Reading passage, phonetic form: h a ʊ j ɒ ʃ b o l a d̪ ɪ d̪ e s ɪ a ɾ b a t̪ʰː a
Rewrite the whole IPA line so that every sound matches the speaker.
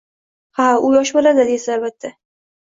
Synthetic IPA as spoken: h a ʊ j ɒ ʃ b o l a d̪ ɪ d̪ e s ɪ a l b a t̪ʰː a